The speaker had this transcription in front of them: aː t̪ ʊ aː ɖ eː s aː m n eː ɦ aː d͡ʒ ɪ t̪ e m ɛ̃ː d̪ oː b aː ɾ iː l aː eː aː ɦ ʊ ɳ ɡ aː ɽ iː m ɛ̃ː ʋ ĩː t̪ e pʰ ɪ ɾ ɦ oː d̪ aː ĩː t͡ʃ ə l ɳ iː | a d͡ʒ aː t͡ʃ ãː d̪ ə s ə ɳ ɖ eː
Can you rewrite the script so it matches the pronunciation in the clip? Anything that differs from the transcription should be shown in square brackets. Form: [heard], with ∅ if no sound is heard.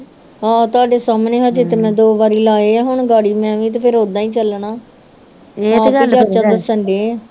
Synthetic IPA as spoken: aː t̪ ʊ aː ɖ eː s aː m n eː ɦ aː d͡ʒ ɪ t̪ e m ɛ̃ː d̪ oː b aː ɾ iː l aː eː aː ɦ ʊ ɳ ɡ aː ɽ iː m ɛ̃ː ʋ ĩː t̪ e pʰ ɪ ɾ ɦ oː d̪ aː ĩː t͡ʃ ə l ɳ [aː] | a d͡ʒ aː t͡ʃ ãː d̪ ə s ə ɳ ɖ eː